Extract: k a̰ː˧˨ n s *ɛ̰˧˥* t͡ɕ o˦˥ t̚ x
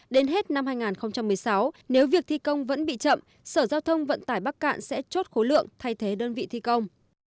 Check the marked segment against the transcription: correct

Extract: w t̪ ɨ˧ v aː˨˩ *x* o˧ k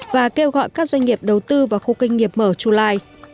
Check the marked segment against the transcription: correct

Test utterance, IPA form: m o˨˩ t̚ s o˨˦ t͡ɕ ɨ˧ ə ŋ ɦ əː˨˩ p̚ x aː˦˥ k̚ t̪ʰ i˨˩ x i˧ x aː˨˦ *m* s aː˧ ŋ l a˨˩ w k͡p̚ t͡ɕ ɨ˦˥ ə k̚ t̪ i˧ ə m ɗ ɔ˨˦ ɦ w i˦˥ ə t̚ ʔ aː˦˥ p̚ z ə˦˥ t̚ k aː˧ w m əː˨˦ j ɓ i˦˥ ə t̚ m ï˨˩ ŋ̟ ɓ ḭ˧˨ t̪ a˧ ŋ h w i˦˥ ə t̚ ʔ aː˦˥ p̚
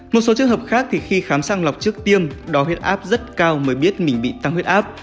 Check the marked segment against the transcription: correct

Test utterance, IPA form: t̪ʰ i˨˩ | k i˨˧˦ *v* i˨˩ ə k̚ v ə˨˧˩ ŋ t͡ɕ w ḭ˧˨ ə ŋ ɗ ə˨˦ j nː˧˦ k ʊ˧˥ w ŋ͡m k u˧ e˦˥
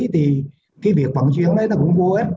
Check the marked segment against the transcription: correct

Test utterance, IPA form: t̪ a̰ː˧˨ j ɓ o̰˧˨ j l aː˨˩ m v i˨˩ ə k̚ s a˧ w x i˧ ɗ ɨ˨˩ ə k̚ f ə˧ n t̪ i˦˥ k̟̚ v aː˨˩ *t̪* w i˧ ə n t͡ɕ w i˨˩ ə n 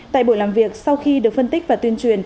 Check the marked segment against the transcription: correct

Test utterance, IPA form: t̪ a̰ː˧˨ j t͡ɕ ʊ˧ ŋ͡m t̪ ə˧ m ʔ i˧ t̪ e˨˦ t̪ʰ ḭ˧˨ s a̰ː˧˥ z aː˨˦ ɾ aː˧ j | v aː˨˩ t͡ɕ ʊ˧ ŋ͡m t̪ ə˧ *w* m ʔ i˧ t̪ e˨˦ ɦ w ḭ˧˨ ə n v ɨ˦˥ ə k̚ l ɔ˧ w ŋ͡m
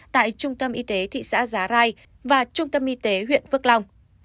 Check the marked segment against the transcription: incorrect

